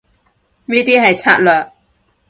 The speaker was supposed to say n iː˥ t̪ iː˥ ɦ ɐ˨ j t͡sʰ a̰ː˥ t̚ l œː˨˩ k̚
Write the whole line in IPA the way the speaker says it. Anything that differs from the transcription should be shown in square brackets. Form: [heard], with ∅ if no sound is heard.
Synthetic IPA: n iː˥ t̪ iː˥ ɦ ɐ˨ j t͡sʰ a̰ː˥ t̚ l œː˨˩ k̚